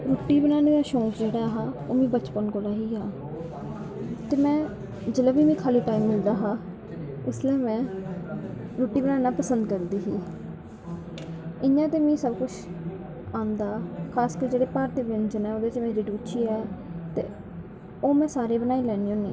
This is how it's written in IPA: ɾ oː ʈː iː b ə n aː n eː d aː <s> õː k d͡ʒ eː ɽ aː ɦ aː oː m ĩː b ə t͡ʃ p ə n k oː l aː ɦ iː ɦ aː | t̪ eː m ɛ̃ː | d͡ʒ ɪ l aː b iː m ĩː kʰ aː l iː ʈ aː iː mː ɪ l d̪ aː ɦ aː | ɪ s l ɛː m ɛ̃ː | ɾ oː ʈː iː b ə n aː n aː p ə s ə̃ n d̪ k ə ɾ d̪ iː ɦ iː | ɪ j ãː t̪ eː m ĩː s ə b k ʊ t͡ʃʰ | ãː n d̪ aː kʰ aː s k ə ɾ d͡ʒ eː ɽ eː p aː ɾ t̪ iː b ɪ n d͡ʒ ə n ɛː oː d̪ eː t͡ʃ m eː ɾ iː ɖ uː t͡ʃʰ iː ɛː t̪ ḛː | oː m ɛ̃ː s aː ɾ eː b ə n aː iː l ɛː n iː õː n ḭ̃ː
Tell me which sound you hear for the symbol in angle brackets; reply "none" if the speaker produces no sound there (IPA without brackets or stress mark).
ʃ